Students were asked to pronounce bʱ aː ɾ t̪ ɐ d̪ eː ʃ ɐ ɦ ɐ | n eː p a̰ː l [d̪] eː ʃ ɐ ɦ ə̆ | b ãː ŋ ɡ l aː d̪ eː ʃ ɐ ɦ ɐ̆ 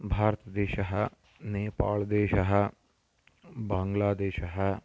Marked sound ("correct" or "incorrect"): correct